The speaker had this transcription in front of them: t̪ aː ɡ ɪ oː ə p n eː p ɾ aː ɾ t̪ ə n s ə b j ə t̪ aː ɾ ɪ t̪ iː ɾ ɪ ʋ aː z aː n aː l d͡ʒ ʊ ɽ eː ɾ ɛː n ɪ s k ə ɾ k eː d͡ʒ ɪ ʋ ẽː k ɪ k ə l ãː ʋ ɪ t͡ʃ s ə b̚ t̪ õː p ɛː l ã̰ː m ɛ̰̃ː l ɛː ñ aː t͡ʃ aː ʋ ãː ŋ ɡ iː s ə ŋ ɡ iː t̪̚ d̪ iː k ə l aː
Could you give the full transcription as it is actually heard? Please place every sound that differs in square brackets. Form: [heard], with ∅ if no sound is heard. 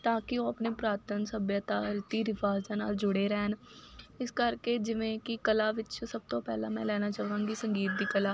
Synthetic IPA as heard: t̪ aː [k] ɪ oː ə p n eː p ɾ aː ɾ t̪ ə n s ə b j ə t̪ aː ɾ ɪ t̪ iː ɾ ɪ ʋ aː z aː n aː l d͡ʒ ʊ ɽ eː ɾ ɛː n ɪ s k ə ɾ k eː d͡ʒ ɪ ʋ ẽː k ɪ k ə l [aː] ʋ ɪ t͡ʃ s ə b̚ t̪ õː p ɛː l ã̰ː m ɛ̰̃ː l ɛː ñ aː t͡ʃ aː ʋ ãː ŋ ɡ iː s ə ŋ ɡ iː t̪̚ d̪ iː k ə l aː